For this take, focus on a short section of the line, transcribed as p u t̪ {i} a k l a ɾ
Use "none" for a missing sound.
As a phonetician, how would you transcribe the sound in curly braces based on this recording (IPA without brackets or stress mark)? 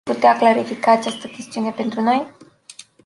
e